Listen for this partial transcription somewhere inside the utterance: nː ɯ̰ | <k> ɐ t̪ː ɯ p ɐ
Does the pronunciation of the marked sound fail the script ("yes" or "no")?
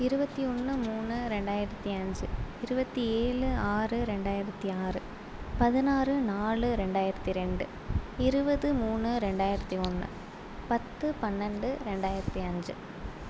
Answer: yes